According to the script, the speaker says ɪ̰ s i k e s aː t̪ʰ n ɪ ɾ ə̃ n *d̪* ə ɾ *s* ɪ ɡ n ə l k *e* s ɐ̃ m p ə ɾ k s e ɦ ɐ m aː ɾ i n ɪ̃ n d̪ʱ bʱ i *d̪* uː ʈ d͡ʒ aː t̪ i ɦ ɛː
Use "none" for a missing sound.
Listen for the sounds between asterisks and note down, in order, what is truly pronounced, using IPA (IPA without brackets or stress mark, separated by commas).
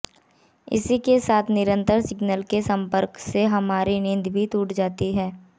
t̪, s, e, t̪